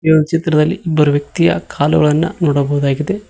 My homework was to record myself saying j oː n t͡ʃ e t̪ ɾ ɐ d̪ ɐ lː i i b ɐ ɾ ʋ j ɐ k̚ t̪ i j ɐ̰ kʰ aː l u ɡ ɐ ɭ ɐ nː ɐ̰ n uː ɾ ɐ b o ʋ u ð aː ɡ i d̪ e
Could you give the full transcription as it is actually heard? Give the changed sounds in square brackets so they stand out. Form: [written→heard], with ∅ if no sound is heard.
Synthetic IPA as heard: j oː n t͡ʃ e t̪ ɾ ɐ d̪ ɐ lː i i b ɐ ɾ ʋ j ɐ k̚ t̪ i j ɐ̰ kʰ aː l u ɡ ɐ ɭ ɐ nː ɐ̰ n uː [ɾ→ɽ] ɐ b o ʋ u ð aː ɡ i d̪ e